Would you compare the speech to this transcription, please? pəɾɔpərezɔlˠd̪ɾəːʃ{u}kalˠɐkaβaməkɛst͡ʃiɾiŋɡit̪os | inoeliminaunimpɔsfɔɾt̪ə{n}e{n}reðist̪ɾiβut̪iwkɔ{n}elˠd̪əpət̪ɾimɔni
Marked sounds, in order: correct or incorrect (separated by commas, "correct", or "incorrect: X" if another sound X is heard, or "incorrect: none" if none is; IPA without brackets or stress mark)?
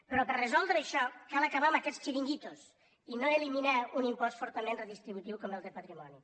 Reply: incorrect: ɔ, incorrect: m, correct, incorrect: m